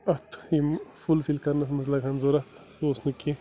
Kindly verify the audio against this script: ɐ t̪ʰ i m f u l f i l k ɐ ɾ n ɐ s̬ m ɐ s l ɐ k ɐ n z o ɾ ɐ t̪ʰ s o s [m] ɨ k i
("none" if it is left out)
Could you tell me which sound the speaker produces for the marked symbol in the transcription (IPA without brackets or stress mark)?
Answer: n